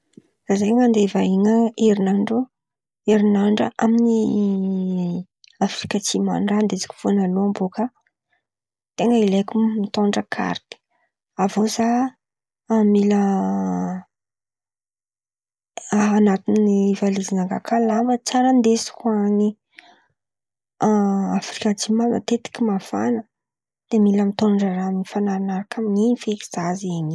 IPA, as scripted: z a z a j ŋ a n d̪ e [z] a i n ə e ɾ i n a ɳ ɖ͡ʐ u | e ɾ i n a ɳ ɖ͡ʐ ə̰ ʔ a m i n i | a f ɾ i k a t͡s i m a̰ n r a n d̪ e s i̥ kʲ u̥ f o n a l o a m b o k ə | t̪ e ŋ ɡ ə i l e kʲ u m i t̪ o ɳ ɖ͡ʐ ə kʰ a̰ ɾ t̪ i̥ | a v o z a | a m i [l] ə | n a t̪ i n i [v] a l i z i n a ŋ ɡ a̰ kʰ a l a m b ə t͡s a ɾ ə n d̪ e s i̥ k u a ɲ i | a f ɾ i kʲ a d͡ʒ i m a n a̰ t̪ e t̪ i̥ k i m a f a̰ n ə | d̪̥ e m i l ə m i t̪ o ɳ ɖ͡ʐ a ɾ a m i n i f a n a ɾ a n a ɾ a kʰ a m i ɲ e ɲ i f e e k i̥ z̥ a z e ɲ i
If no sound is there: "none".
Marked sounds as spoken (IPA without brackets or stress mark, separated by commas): v, l, v